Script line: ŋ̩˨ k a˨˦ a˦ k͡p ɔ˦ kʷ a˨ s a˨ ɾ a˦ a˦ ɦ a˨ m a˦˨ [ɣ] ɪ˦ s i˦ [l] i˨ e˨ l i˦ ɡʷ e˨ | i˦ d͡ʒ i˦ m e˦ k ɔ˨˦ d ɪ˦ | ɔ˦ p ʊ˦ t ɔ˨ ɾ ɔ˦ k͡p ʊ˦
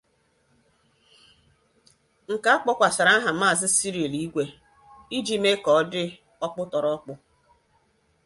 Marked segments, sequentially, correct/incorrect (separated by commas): incorrect, incorrect